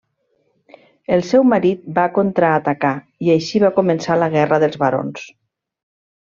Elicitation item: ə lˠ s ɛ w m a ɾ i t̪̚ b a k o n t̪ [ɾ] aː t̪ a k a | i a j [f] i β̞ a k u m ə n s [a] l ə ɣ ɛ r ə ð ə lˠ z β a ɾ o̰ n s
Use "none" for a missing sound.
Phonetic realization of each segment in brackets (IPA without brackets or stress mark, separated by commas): ɾ, ʃ, a